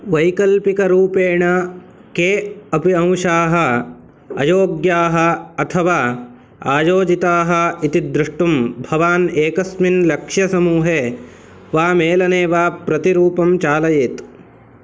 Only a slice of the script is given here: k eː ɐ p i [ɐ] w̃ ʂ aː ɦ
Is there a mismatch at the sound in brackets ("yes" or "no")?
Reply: yes